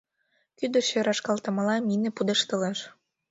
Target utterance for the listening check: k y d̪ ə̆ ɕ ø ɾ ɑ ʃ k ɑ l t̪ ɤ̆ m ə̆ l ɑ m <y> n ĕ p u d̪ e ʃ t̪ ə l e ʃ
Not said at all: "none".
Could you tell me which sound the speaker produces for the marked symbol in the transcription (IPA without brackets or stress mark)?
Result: i